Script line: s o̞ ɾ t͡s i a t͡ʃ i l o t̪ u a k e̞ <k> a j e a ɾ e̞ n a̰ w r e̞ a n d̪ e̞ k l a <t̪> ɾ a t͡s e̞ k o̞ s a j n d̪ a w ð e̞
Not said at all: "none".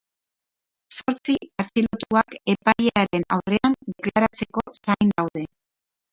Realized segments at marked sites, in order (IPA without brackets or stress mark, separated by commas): p, none